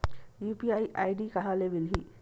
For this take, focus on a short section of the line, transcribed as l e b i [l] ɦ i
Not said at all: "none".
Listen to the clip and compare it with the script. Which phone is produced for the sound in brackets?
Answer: l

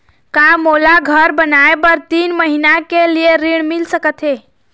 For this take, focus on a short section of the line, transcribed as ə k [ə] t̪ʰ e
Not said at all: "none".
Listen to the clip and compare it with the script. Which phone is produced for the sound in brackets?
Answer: ə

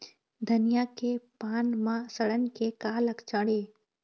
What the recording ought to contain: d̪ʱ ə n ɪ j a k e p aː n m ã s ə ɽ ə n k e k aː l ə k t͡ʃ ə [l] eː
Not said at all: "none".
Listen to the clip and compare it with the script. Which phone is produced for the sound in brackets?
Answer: ɽ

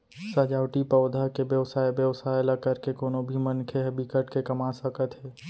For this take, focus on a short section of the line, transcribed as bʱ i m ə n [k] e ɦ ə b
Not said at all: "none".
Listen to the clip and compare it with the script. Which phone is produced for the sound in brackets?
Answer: kʰ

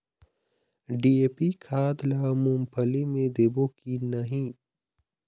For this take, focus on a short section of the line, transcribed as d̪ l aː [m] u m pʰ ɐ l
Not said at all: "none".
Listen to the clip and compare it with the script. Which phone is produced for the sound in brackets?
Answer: m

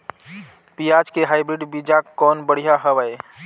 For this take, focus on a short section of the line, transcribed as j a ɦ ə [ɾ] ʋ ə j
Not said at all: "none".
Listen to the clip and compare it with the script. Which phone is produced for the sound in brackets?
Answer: none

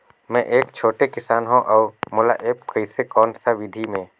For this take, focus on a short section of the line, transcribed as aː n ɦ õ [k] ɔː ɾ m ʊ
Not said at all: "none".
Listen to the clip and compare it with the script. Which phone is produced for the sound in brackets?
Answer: ʔ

